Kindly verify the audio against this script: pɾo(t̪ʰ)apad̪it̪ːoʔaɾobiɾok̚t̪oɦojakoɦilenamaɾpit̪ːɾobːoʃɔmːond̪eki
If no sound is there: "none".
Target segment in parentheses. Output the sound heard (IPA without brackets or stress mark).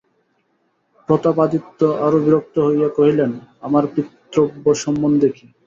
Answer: t̪